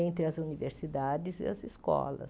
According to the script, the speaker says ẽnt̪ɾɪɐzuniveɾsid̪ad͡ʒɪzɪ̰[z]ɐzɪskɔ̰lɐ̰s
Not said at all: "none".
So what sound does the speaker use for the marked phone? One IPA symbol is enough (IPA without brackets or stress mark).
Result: none